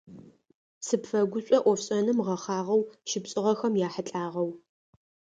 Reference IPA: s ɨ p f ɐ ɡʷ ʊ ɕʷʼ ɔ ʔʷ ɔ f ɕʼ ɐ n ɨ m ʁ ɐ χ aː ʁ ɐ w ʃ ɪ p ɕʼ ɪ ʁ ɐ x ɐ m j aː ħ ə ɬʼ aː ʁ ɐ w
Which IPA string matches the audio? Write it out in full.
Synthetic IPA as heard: s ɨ p f ɐ ɡʷ ʊ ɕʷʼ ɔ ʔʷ ɔ f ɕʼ ɐ n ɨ m ʁ ɐ χ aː ʁ ɐ w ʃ ɪ p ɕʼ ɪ ʁ ɐ x ɐ m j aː ħ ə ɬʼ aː ʁ ɐ w